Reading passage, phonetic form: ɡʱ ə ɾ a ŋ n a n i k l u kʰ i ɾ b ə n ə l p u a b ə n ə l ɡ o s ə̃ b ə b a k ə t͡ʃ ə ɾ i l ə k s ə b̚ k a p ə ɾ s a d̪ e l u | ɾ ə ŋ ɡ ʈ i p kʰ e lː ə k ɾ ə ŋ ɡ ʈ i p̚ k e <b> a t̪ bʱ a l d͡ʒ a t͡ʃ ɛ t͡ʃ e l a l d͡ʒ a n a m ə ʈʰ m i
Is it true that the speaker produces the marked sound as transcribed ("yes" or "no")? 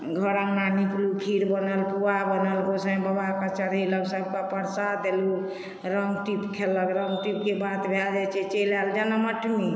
yes